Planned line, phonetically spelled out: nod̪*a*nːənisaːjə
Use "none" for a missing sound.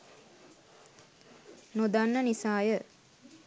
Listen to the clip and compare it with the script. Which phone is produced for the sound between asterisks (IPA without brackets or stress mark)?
a